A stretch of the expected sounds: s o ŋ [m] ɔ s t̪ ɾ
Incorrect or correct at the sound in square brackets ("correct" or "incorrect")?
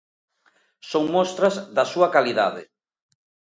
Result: correct